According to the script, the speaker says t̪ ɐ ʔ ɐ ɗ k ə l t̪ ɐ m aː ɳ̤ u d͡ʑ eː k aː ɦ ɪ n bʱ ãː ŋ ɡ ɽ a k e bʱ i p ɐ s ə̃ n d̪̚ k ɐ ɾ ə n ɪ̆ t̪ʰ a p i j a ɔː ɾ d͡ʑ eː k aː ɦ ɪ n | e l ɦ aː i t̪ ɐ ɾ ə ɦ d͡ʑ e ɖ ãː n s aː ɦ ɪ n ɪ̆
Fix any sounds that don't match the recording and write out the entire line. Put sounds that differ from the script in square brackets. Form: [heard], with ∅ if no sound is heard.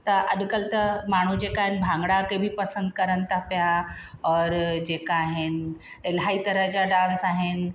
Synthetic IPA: t̪ ɐ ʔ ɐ ɗ k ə l t̪ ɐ m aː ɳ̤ u d͡ʑ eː k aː ɦ ɪ n bʱ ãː ŋ ɡ ɽ a k e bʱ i p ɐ s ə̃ n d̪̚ k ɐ ɾ ə n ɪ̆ t̪ʰ a p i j a ɔː ɾ d͡ʑ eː k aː ɦ ɪ n | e l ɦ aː i t̪ ɐ ɾ ə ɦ d͡ʑ [a] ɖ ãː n s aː ɦ ɪ n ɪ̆

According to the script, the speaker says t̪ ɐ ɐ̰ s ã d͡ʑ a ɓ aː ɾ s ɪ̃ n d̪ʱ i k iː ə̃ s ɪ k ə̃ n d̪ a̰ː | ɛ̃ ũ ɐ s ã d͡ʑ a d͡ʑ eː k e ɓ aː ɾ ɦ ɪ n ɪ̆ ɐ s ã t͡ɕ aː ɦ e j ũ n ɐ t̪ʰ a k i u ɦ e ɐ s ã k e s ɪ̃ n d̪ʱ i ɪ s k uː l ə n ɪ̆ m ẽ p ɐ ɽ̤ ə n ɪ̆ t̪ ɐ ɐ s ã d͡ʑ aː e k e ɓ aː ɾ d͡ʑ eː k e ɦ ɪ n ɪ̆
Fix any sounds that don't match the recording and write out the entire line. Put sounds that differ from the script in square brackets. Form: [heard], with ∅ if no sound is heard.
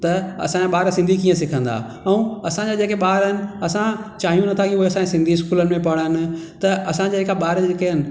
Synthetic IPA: t̪ ɐ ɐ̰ s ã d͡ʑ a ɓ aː ɾ s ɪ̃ n d̪ʱ i k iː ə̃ s ɪ [kʰ] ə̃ n d̪ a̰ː | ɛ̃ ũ ɐ s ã d͡ʑ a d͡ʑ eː k e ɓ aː ɾ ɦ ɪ n ɪ̆ ɐ s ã t͡ɕ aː ɦ [i] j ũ n ɐ t̪ʰ a k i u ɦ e ɐ s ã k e s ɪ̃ n d̪ʱ i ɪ s k uː l ə n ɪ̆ m ẽ p ɐ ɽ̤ ə n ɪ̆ t̪ ɐ ɐ s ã d͡ʑ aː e k [a] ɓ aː ɾ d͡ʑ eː k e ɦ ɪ n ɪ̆

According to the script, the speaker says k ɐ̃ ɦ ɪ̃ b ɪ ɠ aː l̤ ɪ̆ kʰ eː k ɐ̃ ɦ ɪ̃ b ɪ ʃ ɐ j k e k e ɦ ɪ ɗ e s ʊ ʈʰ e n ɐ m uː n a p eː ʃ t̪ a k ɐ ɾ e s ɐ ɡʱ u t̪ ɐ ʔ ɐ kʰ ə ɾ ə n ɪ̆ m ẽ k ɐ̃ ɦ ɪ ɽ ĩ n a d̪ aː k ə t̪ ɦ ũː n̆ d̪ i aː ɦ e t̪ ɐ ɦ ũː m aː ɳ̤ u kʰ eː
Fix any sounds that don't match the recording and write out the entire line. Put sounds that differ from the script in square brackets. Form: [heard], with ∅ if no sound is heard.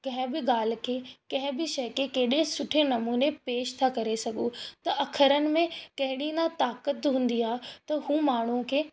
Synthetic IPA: k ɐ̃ ɦ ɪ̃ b ɪ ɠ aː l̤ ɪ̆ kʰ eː k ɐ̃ ɦ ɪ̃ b ɪ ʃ ɐ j k e k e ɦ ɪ ɗ e s ʊ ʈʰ e n ɐ m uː n [e] p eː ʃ [t̪ʰ] a k ɐ ɾ e s ɐ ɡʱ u t̪ ɐ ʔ ɐ kʰ ə ɾ ə n ɪ̆ m ẽ k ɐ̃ ɦ ɪ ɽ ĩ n a [t̪] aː k ə t̪ ɦ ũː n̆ d̪ i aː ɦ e t̪ ɐ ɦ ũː m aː ɳ̤ u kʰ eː

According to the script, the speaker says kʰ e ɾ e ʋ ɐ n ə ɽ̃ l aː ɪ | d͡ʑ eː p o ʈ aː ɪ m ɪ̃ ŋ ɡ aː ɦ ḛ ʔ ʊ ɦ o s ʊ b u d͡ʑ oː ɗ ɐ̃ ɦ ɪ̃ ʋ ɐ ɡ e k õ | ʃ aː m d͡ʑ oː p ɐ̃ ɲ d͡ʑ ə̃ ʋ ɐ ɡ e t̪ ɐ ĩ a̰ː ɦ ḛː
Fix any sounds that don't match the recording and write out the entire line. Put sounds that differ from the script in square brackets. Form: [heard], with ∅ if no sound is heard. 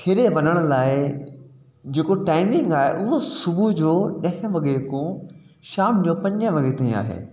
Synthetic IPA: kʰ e ɾ e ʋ ɐ n ə ɽ̃ l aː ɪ | d͡ʑ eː [k] o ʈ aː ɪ m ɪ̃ ŋ ɡ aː ɦ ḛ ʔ ʊ ɦ o s ʊ b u d͡ʑ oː ɗ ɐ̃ ɦ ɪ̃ ʋ ɐ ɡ e k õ | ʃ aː m d͡ʑ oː p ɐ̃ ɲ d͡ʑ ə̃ ʋ ɐ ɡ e t̪ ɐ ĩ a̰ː ɦ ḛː

